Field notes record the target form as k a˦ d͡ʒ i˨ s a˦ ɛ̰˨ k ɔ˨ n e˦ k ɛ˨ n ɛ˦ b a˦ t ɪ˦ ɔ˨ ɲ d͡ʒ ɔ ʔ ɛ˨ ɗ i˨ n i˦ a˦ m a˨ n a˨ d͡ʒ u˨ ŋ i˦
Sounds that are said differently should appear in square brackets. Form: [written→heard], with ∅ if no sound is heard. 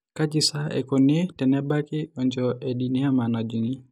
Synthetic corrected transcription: k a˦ d͡ʒ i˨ s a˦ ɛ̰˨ k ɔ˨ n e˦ [k→t] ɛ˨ n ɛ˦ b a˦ [t→k] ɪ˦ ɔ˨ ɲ d͡ʒ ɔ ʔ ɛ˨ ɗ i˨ n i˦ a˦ m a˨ n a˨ d͡ʒ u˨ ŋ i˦